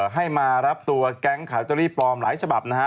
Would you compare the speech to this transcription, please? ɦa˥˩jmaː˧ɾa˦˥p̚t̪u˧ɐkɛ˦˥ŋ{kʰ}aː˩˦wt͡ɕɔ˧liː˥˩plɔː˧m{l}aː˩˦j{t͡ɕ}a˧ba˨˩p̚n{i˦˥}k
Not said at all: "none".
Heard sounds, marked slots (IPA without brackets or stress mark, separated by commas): kʰ, l, t͡ɕʰ, a˦˥